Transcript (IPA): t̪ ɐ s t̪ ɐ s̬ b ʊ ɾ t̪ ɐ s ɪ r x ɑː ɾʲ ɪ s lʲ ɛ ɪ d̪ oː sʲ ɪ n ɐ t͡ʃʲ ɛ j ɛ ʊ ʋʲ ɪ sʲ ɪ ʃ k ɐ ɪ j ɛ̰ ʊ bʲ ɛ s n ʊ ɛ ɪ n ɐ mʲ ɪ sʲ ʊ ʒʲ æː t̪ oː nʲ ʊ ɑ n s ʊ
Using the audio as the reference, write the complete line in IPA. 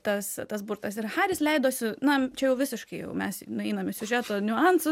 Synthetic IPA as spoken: t̪ ɐ s t̪ ɐ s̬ b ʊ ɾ t̪ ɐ s ɪ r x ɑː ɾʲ ɪ s lʲ ɛ ɪ d̪ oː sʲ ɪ n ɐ t͡ʃʲ ɛ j ɛ ʊ ʋʲ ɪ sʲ ɪ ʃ k ɐ ɪ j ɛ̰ ʊ mʲ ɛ s n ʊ ɛ ɪ n ɐ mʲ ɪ sʲ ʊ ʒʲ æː t̪ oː nʲ ʊ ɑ n s ʊ